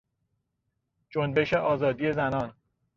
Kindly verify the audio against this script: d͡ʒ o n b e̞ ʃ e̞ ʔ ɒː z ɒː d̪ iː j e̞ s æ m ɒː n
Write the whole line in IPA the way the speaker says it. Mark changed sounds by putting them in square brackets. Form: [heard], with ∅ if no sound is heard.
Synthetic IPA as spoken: d͡ʒ o n b e̞ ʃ e̞ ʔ ɒː z ɒː d̪ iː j e̞ [z] æ [n] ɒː n